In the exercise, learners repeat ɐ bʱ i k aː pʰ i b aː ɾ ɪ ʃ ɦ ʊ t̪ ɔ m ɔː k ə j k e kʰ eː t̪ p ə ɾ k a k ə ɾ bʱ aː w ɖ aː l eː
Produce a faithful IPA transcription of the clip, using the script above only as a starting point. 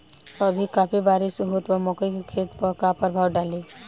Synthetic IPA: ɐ bʱ i k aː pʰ i b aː ɾ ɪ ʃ ɦ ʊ t̪ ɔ m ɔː k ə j k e kʰ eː t̪ p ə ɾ k a p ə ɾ bʱ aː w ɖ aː l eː